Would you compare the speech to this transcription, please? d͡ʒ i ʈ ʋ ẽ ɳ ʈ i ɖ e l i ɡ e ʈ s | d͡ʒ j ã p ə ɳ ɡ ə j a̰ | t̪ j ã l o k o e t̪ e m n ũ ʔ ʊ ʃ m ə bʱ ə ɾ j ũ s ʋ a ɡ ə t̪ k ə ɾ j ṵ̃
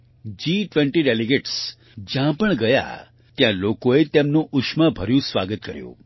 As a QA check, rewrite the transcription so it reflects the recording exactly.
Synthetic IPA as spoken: d͡ʒ i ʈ ʋ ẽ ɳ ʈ i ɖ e l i ɡ e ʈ s | d͡ʒ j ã p ə ɳ ɡ ə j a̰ | t̪ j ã l o k o e t̪ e m n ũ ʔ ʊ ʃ m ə bʱ ə ɾ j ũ s ʋ a ɡ ə t̪ k ə ɾ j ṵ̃